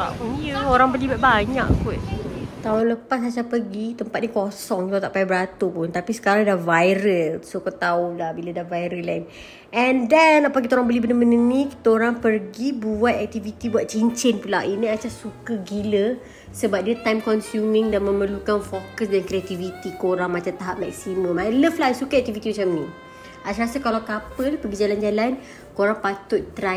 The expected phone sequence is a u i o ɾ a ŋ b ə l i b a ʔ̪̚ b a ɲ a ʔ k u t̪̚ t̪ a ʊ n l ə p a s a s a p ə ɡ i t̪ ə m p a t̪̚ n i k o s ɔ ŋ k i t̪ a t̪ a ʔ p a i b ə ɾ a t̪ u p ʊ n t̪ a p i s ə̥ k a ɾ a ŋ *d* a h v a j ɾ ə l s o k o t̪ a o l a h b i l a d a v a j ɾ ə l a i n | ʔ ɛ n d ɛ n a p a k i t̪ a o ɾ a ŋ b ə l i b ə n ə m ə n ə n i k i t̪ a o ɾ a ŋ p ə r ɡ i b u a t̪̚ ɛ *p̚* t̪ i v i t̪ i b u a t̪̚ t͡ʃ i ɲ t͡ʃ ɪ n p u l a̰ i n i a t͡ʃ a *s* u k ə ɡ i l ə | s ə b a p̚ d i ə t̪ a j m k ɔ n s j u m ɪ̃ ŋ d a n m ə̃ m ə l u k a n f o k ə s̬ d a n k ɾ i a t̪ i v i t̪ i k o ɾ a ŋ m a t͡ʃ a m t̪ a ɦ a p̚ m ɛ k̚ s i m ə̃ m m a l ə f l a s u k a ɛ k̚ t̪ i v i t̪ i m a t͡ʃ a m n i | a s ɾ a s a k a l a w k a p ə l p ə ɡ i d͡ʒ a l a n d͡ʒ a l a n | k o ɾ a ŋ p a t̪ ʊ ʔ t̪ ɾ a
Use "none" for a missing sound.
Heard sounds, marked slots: d, k̚, s

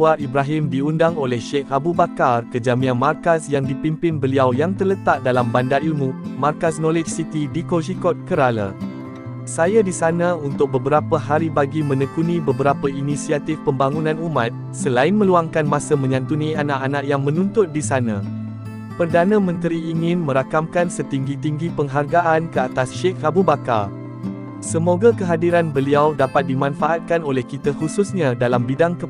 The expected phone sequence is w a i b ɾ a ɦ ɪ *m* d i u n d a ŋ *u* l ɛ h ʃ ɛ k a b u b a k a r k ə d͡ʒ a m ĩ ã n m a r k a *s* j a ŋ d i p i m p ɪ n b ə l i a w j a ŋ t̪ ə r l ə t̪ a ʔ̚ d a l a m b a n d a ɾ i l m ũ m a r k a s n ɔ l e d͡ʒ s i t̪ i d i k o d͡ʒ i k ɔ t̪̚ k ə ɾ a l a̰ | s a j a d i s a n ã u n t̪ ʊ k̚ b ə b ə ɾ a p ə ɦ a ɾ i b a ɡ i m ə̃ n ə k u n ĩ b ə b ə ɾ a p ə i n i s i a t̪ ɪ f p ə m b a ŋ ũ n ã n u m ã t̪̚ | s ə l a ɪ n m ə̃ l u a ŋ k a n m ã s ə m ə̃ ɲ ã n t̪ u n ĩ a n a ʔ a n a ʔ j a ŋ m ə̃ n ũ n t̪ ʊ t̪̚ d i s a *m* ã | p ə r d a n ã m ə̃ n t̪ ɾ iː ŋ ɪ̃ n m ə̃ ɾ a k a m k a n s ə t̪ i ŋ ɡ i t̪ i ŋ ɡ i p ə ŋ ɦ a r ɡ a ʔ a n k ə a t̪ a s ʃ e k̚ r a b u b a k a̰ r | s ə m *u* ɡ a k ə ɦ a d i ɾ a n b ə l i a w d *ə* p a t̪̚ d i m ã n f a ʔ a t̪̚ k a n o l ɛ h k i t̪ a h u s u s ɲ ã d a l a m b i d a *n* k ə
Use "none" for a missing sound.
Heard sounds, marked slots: m, o, s, n, o, a, ŋ

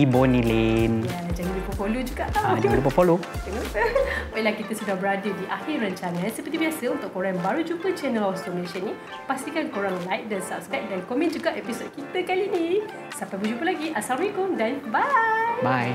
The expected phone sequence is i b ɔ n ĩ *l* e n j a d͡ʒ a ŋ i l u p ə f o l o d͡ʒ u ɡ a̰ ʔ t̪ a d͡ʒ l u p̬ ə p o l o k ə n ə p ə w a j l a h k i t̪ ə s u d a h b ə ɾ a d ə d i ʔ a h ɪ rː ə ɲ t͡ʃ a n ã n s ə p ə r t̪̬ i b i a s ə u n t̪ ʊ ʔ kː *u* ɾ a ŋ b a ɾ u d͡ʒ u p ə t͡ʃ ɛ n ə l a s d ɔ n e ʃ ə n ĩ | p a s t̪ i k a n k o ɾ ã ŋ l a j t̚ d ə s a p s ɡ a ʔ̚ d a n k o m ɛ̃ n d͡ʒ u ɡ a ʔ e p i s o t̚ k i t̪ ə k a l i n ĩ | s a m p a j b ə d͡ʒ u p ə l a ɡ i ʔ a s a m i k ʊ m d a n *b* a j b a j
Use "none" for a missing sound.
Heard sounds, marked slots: l, o, b

